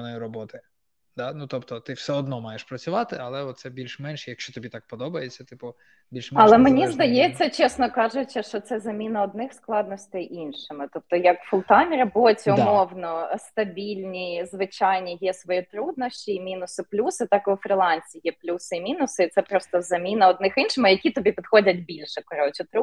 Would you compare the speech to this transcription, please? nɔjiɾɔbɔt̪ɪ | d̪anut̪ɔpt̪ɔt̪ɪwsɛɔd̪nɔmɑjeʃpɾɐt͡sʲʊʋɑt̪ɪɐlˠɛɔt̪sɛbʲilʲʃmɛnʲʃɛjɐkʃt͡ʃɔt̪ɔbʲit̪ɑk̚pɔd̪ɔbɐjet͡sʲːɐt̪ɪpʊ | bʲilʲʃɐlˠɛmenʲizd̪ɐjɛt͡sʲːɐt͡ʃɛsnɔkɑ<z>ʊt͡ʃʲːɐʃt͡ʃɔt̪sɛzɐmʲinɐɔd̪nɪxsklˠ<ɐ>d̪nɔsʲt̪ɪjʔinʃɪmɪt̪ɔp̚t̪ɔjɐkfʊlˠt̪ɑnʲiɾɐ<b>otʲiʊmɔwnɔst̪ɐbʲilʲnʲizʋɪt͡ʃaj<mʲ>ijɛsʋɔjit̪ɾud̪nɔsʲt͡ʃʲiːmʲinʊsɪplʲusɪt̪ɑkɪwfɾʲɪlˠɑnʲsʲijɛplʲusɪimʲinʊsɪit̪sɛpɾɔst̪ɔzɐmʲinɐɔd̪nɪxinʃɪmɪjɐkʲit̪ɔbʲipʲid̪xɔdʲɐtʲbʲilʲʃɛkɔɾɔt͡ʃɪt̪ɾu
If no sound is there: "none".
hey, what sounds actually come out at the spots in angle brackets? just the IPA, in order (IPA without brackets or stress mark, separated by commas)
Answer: ʒ, ɑ, b, nʲ